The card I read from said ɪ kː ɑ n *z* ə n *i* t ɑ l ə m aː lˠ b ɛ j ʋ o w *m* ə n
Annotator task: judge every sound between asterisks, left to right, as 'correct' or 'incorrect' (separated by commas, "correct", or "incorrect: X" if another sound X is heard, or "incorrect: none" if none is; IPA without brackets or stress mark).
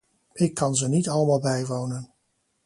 correct, correct, incorrect: n